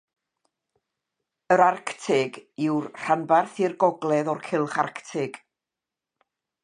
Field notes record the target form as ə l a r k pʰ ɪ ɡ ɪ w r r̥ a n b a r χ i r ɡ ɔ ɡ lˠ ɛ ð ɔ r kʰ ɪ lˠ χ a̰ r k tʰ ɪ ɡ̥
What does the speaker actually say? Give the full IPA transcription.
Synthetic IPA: ə ɾ a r k tʰ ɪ ɡ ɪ w r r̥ a n b a r θ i r ɡ ɔ ɡ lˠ ɛ ð ɔ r kʰ ɪ lˠ χ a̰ r k tʰ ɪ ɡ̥